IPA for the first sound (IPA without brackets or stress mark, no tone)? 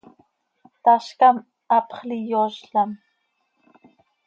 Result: t̪